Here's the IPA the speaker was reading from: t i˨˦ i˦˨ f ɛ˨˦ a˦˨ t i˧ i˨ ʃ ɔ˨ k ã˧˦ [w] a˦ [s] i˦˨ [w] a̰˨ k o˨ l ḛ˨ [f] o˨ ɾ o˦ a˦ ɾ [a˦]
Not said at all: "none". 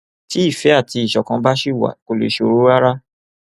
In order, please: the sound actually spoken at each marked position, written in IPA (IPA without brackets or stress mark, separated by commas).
b, ʃ, w, ʃ, a˦